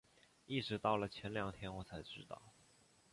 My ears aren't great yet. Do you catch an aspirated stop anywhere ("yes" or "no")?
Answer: yes